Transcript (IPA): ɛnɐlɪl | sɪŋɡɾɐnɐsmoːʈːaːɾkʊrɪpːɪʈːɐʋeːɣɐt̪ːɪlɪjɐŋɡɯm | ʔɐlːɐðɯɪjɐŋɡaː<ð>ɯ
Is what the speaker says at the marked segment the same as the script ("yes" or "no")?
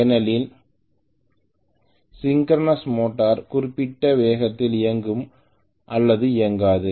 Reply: yes